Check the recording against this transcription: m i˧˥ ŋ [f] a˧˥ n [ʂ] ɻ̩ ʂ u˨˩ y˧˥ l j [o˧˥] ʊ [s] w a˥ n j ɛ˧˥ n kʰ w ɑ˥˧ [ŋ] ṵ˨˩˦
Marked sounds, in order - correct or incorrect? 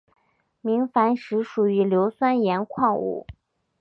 correct, correct, correct, correct, correct

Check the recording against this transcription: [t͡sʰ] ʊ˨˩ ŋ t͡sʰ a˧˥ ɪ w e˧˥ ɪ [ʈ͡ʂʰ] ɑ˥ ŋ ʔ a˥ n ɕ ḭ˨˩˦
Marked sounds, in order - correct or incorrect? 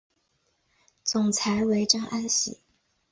incorrect, incorrect

